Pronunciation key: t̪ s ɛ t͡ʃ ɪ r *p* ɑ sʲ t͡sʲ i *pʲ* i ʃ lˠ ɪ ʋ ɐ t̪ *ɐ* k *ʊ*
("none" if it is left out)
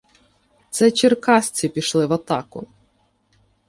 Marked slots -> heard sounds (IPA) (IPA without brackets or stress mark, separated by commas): k, pʲ, ɑ, ʊ